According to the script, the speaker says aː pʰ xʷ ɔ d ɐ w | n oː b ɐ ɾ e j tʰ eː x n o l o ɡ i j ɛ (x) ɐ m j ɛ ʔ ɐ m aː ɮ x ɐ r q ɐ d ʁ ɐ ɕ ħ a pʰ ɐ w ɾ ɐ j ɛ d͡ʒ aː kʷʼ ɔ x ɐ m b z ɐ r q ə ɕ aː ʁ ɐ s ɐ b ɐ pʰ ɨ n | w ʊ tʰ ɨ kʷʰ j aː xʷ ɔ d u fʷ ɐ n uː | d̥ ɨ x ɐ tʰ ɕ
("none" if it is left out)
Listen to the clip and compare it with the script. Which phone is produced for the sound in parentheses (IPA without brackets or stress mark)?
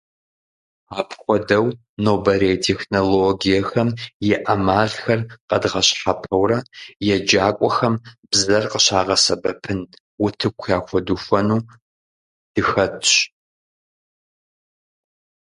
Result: x